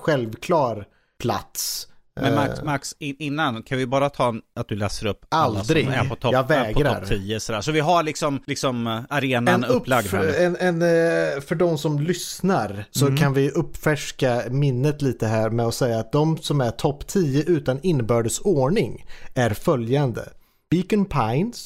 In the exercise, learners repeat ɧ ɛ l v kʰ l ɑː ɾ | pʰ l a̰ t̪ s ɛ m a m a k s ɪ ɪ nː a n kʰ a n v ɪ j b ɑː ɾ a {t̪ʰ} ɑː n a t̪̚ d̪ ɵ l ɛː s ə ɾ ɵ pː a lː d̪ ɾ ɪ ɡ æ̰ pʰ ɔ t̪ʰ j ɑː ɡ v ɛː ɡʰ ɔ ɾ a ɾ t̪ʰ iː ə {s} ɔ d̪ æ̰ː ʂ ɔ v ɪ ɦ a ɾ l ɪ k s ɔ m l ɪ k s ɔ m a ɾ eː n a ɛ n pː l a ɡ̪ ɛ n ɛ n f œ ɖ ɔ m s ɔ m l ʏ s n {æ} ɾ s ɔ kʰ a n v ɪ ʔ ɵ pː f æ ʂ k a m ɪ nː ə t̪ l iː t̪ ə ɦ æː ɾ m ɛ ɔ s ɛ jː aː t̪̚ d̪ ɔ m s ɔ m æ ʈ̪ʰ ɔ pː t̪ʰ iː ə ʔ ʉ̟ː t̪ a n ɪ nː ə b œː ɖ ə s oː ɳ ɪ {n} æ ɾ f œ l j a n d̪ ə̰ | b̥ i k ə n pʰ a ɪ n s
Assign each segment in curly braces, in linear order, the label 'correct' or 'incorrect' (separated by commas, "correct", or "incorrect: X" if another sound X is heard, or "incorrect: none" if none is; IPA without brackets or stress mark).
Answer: correct, correct, incorrect: a, incorrect: ŋ